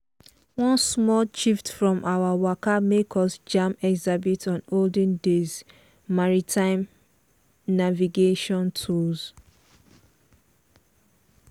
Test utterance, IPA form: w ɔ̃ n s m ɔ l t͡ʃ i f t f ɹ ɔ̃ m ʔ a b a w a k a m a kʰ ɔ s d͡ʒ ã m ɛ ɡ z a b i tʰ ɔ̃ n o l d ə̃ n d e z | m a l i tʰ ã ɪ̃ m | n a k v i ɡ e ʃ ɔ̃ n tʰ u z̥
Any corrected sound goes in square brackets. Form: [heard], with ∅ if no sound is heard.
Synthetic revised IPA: w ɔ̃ n s m ɔ l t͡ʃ i f t f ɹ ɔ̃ m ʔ a [w] a w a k a m [e] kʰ ɔ s d͡ʒ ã m ɛ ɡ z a b i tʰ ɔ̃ n o l d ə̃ n d e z | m a [ɹ] i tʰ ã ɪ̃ m | n a [∅] v i ɡ e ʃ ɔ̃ n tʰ u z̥

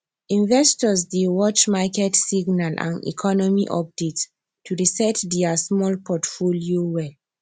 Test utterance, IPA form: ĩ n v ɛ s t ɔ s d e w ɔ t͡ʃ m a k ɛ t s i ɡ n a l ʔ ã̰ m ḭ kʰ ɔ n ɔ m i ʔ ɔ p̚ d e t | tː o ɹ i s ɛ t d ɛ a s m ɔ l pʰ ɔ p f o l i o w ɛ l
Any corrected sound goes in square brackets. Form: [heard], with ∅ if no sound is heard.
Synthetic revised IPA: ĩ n v ɛ s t ɔ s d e w ɔ t͡ʃ m a k ɛ t s i ɡ n a l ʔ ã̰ [n] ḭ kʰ ɔ n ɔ m i ʔ ɔ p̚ d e t | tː [u] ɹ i s ɛ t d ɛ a s m ɔ l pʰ ɔ [t] f o l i o w ɛ l

